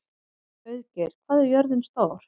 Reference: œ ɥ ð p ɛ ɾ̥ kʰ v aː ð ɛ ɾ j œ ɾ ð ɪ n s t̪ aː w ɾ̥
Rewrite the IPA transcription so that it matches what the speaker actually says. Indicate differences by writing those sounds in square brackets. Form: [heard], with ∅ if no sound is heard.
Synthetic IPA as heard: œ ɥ ð [c] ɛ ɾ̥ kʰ v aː ð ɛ ɾ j œ ɾ ð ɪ n s t̪ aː w ɾ̥